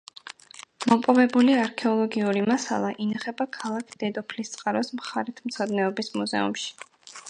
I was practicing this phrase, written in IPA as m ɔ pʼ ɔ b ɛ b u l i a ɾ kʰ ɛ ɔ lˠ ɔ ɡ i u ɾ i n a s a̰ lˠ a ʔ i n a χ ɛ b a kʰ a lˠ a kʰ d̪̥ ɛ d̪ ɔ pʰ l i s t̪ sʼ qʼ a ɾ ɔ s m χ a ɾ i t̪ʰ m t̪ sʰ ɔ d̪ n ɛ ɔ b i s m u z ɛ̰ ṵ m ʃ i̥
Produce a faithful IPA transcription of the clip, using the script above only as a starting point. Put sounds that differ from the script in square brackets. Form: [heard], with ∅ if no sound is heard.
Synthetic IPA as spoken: m ɔ pʼ ɔ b ɛ b u l i a ɾ kʰ ɛ ɔ lˠ ɔ ɡ i u ɾ i [m] a s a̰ lˠ a ʔ i n a χ ɛ b a kʰ a lˠ a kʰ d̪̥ ɛ d̪ ɔ pʰ l i s t̪ sʼ qʼ a ɾ ɔ s m χ a ɾ i t̪ʰ m t̪ sʰ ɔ d̪ n ɛ ɔ b i s m u z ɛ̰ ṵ m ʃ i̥

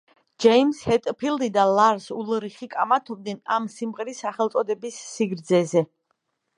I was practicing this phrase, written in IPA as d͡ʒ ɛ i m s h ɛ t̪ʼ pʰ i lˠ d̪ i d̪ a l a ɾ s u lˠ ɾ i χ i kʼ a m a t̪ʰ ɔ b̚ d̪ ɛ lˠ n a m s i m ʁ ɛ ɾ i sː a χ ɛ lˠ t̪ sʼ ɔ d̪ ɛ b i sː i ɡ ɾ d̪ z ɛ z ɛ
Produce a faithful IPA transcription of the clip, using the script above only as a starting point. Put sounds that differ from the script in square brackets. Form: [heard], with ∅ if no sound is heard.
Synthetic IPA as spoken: d͡ʒ ɛ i m s h ɛ t̪ʼ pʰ i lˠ d̪ i d̪ a l a ɾ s u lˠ ɾ i χ i kʼ a m a t̪ʰ ɔ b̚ d̪ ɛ [∅] n a m s i m ʁ ɛ ɾ i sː a χ ɛ lˠ t̪ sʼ ɔ d̪ ɛ b i sː i ɡ ɾ d̪ z ɛ z ɛ

